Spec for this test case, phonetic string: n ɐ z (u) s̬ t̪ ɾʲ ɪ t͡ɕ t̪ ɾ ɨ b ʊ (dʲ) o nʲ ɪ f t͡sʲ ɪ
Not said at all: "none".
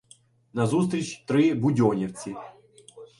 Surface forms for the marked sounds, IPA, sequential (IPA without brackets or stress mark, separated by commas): u, dʲ